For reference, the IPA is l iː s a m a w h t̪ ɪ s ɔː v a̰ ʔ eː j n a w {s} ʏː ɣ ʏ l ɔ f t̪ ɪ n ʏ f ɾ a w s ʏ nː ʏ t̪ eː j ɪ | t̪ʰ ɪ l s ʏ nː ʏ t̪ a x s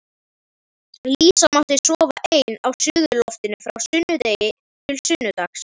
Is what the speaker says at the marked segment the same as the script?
yes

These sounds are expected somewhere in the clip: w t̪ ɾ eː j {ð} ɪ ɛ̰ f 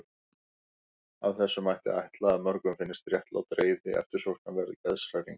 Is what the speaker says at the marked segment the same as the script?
yes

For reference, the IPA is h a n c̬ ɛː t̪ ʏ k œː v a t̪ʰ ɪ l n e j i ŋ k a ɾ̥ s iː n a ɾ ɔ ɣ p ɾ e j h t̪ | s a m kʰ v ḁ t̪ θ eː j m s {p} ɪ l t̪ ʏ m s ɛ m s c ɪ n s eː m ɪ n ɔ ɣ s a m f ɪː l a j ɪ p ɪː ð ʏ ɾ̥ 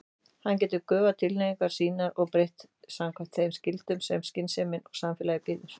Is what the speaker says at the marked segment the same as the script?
no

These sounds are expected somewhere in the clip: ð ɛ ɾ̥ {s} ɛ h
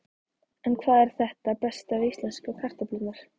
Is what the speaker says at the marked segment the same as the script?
no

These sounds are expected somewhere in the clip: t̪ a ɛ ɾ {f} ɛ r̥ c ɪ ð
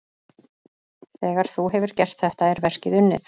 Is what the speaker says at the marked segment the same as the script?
no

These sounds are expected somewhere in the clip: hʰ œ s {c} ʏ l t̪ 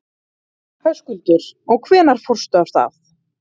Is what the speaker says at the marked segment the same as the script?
no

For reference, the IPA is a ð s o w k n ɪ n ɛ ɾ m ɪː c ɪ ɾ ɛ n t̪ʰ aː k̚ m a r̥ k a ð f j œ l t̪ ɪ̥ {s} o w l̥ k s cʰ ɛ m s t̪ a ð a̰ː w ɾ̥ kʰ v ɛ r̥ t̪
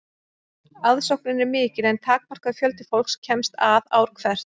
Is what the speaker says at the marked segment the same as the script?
no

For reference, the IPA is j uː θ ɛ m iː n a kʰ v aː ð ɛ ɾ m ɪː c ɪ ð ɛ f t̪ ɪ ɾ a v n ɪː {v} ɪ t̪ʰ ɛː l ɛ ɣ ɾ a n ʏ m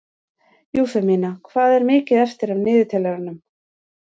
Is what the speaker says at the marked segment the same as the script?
no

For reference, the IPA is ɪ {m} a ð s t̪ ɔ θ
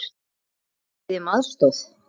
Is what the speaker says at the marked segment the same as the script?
yes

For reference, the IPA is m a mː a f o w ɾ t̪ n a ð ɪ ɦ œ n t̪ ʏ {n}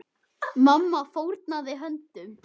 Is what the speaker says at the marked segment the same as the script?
no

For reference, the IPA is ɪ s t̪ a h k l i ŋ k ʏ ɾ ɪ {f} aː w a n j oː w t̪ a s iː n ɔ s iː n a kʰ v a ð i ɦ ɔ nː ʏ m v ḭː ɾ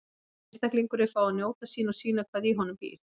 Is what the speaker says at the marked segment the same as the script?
yes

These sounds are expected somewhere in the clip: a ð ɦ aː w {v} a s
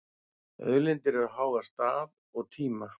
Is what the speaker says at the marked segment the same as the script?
no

